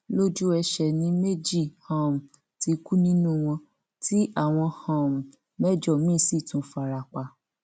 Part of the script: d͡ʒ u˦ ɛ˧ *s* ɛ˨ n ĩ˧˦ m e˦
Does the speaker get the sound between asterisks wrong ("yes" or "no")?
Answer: yes